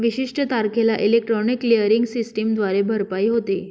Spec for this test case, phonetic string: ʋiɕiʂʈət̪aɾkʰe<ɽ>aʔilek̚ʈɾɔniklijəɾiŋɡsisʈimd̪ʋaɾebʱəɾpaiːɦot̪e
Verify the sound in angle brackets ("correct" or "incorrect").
incorrect